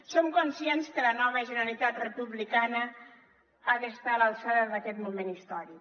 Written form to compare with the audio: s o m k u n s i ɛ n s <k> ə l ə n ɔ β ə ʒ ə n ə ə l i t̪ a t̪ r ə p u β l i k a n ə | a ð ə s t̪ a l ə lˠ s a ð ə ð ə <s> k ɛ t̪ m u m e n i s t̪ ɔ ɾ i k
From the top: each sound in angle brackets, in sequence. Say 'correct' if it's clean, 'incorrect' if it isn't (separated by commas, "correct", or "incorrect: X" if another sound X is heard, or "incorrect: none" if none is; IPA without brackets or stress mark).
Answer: correct, incorrect: none